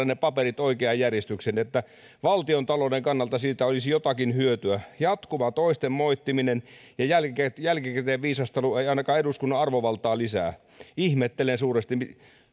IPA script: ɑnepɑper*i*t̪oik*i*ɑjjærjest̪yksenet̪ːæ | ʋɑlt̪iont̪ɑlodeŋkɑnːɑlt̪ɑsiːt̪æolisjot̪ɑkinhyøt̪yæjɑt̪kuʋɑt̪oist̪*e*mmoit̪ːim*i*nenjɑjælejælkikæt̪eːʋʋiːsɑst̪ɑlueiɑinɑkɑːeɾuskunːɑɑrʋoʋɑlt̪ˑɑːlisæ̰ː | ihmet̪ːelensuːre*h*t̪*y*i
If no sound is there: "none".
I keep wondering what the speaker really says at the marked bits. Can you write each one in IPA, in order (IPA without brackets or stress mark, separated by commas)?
i, e, e, i, s, i